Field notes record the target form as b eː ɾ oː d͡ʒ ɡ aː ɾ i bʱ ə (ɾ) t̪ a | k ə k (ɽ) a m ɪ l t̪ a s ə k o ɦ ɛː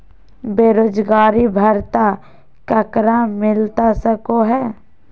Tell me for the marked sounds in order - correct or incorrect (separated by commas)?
correct, incorrect